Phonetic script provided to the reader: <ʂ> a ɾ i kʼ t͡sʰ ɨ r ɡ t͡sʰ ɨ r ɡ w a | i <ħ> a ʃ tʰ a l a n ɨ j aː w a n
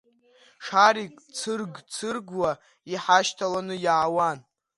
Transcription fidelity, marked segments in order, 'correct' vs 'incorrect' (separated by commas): correct, correct